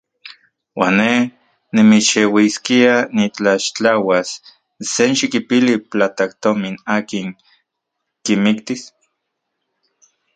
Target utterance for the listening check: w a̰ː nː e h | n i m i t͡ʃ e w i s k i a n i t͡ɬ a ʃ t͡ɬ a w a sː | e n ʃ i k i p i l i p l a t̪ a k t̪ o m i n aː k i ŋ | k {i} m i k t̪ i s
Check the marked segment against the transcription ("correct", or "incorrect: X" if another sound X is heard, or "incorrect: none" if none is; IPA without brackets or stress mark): correct